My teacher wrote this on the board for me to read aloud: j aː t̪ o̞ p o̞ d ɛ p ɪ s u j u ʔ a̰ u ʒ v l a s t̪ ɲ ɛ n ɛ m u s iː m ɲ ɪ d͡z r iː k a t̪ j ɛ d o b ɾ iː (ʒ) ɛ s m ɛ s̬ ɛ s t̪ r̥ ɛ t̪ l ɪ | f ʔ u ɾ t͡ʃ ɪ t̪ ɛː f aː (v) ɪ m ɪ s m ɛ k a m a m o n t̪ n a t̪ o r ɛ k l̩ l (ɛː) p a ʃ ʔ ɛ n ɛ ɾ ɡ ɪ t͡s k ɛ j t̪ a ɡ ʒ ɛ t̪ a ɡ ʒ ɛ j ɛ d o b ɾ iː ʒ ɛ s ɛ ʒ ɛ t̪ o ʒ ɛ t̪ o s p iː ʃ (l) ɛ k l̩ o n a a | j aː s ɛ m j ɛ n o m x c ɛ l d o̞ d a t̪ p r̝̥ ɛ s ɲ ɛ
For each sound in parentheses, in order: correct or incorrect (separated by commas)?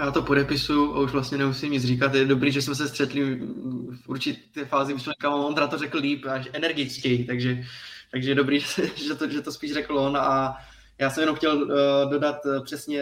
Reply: correct, incorrect, incorrect, incorrect